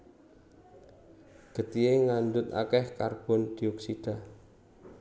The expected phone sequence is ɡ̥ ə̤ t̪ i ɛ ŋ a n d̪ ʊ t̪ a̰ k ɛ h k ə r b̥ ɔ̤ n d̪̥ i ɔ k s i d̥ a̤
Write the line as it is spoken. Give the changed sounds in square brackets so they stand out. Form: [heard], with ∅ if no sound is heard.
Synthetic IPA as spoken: ɡ̥ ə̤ t̪ i [e] ŋ a n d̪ ʊ t̪ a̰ k ɛ h k [a] r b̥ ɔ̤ n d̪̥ i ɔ k s i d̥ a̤